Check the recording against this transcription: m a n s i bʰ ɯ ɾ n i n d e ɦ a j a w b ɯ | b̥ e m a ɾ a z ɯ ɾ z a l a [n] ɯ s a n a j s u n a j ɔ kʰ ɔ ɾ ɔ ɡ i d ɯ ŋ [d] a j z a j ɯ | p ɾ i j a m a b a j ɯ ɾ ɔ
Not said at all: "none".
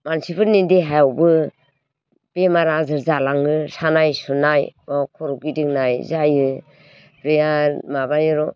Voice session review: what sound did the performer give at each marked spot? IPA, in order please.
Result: ŋ, n

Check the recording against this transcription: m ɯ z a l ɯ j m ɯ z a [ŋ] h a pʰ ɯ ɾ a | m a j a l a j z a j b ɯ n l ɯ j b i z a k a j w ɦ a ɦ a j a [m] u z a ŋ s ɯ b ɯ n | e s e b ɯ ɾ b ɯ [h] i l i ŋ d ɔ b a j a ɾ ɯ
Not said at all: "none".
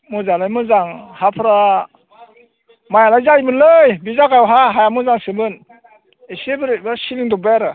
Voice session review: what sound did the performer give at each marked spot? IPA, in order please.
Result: ŋ, m, s

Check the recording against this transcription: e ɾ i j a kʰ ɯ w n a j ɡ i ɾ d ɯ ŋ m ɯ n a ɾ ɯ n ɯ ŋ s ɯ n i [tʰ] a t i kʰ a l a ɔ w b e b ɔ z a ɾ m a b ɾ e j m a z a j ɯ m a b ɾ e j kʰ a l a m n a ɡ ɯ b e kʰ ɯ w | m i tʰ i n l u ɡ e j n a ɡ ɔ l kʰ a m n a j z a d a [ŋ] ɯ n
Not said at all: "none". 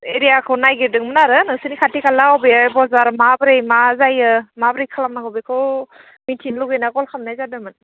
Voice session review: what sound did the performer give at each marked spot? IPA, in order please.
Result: kʰ, m

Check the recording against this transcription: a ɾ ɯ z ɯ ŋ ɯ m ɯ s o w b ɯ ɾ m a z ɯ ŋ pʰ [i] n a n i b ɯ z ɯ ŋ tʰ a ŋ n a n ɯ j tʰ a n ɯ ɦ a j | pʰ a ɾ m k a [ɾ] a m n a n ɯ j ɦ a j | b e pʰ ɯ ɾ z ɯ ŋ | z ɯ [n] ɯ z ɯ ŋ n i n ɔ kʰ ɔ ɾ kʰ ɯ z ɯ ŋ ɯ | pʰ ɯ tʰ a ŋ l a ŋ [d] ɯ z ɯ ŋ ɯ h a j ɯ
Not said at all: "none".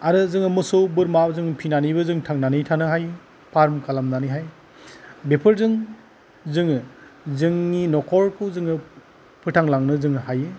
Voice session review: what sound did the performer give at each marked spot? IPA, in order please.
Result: i, l, ŋ, n

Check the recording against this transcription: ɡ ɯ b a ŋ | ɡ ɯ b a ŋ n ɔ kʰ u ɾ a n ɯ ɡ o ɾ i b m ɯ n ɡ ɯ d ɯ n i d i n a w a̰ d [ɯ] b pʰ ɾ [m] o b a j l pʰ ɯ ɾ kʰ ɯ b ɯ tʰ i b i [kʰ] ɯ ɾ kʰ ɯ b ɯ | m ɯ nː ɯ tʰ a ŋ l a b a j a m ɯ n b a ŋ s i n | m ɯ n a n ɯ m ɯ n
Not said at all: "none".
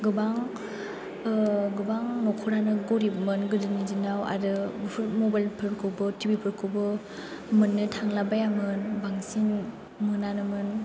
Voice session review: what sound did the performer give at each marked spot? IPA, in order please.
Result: ɯ, m, pʰ

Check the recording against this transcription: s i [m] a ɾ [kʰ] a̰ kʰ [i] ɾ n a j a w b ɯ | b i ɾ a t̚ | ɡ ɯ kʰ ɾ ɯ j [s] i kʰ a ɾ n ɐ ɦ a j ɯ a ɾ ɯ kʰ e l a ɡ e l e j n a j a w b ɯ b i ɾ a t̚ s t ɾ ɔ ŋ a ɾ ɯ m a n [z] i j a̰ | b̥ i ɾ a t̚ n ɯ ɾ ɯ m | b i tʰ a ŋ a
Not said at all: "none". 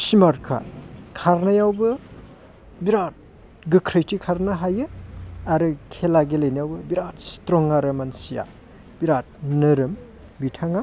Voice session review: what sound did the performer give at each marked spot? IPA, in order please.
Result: m, kʰ, a, t, s

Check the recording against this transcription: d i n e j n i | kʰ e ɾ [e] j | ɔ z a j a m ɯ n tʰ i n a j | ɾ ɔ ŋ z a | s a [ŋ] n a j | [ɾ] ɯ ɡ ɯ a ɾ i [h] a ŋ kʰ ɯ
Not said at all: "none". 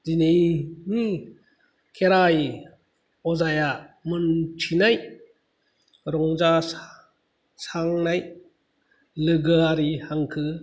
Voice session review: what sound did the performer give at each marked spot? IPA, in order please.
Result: a, ŋ, l, h

